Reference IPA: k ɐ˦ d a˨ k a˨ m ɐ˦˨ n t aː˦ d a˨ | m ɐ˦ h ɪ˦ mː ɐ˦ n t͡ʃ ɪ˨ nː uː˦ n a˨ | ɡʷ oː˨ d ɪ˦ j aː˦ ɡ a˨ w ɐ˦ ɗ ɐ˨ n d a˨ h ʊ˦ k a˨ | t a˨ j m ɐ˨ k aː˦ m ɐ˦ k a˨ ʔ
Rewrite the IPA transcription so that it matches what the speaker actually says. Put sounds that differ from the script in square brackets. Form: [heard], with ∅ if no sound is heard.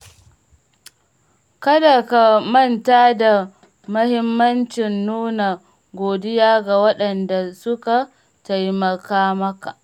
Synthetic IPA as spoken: k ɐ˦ d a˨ k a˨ m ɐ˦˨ n t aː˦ d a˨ | m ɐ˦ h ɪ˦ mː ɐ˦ n t͡ʃ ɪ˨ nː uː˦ n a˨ | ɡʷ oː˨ d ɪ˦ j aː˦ ɡ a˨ w ɐ˦ ɗ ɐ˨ n d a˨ [s] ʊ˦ k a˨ | t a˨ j m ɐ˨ k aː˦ m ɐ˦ k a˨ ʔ